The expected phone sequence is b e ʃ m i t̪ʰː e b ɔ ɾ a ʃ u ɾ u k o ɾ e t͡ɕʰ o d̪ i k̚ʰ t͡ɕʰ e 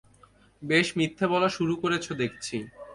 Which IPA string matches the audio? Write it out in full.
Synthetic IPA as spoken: b e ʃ m i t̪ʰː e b ɔ l a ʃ u ɾ u k o ɾ e t͡ɕʰ o d̪ e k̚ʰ t͡ɕʰ i